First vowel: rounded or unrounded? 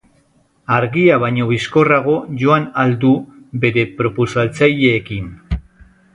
unrounded